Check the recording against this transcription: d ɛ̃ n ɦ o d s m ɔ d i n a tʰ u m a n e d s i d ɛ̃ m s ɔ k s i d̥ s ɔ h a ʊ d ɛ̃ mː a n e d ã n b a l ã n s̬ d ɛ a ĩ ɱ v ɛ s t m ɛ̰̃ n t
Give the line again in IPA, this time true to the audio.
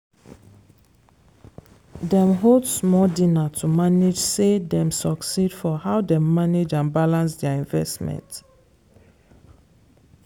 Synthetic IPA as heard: d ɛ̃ m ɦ o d s m ɔ d i n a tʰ u m a n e d͡ʒ s e d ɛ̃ m s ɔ k s i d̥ f ɔ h a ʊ d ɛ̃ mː a n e d͡ʒ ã n b a l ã n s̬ d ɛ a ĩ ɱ v ɛ s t m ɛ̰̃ n t